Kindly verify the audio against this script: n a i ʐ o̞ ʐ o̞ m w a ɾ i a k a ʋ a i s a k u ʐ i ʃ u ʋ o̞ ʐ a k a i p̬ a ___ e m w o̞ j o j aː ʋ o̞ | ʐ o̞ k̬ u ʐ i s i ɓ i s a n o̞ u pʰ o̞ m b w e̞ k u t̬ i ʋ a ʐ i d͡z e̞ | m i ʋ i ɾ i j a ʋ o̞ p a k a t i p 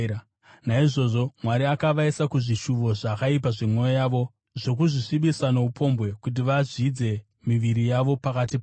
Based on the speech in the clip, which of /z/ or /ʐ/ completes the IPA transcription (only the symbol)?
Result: ʐ